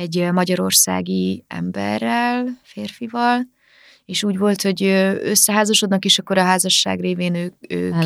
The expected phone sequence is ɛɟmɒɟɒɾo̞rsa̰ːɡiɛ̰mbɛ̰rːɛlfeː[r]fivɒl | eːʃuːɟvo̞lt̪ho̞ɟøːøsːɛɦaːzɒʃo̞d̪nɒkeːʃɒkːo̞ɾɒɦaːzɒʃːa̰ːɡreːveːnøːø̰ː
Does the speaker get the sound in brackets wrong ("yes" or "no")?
no